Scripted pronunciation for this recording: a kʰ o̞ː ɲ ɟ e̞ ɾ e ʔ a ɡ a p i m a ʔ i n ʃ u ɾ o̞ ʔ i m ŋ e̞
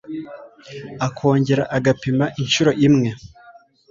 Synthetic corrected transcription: a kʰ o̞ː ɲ ɟ e̞ ɾ a ʔ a ɡ a p i m a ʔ i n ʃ u ɾ o̞ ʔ i m ŋ e̞